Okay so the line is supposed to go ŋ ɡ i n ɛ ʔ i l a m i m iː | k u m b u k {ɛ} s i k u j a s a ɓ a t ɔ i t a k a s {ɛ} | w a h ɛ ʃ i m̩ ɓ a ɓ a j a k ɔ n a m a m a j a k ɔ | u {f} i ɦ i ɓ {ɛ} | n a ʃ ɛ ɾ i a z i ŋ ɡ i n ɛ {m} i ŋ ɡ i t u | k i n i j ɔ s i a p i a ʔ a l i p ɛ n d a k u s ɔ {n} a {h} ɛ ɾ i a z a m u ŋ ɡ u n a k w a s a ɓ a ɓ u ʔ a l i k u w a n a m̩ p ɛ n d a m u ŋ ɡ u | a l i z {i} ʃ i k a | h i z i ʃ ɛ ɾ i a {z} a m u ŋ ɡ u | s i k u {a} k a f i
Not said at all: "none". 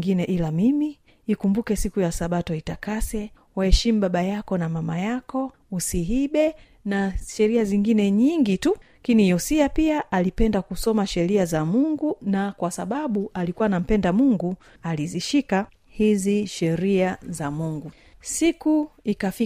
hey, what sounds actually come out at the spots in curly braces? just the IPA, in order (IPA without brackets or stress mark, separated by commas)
ɛ, ɛ, s, ɛ, ɲ, m, ʃ, i, z, i